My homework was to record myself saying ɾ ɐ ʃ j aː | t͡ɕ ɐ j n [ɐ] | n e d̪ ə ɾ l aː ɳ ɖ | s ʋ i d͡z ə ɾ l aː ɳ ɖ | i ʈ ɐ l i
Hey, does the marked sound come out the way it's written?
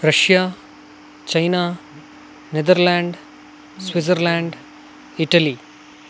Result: no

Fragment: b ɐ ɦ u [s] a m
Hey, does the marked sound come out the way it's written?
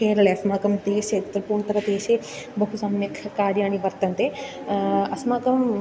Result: yes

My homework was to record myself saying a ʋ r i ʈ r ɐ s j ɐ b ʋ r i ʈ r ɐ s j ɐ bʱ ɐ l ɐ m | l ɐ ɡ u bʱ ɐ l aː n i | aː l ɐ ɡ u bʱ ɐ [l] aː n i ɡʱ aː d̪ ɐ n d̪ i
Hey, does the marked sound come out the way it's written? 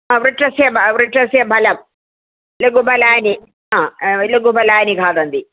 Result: yes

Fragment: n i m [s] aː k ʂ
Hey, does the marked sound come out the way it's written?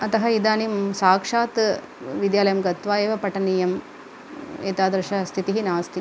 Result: yes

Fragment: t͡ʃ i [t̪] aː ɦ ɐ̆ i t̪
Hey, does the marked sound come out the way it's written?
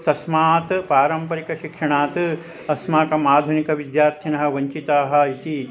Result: yes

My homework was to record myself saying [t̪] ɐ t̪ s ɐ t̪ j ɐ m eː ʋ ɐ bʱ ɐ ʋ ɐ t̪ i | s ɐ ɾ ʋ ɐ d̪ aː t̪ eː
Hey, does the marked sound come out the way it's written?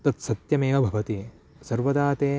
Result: yes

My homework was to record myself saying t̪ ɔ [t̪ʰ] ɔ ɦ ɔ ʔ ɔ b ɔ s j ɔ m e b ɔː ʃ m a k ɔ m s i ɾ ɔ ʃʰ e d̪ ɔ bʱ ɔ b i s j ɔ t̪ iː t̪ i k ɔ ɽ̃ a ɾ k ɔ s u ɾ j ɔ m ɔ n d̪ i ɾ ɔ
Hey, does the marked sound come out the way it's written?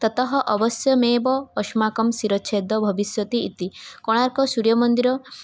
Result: no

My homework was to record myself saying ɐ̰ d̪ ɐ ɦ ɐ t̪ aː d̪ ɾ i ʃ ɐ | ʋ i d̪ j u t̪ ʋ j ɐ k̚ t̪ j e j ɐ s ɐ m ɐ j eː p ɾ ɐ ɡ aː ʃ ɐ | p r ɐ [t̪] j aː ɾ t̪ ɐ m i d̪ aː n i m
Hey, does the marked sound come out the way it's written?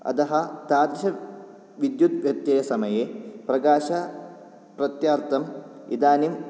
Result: yes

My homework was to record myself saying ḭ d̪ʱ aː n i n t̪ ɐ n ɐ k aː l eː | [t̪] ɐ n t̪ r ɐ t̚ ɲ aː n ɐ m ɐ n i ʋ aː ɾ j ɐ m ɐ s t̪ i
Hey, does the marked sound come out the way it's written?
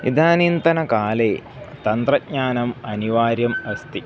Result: yes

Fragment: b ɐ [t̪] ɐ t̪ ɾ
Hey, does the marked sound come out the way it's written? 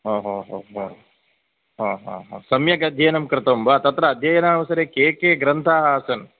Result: yes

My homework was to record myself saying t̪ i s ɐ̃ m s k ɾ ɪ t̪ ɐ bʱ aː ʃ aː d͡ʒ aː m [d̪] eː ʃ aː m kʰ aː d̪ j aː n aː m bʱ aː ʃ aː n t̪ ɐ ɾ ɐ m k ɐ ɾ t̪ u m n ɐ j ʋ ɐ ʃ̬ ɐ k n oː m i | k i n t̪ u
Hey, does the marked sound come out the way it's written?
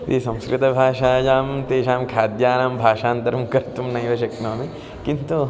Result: no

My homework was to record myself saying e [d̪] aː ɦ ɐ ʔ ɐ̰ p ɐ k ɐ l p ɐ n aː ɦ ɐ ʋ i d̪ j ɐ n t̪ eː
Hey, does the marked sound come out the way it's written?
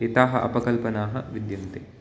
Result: no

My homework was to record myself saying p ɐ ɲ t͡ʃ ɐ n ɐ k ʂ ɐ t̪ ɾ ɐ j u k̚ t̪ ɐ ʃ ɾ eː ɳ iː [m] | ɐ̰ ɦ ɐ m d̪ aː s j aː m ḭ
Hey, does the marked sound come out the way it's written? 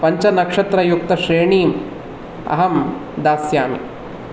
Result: yes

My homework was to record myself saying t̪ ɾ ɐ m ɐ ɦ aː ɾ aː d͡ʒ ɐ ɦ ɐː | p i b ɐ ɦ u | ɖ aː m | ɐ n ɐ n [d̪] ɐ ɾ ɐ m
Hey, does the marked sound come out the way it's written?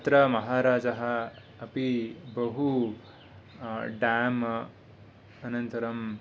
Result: no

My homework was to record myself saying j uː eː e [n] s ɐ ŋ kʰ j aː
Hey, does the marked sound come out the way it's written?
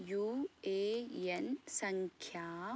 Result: yes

